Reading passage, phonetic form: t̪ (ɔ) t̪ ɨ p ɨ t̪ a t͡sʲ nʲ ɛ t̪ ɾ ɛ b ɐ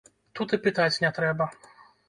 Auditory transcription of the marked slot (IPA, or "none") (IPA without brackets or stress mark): u